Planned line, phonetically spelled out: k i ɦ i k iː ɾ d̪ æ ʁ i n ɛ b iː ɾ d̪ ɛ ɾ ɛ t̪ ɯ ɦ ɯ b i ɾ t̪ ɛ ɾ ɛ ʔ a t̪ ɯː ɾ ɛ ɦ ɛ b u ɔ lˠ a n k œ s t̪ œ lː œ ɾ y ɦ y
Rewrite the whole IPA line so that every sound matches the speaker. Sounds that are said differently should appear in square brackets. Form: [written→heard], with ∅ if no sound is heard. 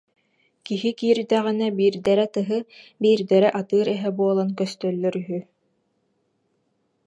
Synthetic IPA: k i ɦ i k iː ɾ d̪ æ ʁ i n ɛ b iː ɾ d̪ ɛ ɾ ɛ t̪ ɯ ɦ ɯ b [i→iː] ɾ [t̪→d̪] ɛ ɾ ɛ ʔ a t̪ ɯː ɾ ɛ ɦ ɛ b u ɔ lˠ a n k œ s t̪ œ lː œ ɾ y ɦ y

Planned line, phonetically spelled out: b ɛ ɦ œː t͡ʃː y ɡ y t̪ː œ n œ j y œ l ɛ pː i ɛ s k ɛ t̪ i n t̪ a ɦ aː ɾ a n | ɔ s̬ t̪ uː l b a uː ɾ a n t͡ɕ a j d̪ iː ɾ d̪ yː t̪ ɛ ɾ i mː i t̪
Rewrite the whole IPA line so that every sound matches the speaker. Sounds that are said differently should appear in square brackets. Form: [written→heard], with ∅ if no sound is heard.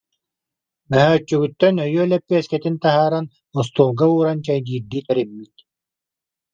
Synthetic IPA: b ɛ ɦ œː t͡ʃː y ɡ y t̪ː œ n œ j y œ l ɛ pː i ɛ s k ɛ t̪ i n t̪ a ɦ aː ɾ a n | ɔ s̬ t̪ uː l [b→ɡ] a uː ɾ a n t͡ɕ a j d̪ iː ɾ d̪ [yː→iː] t̪ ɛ ɾ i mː i t̪

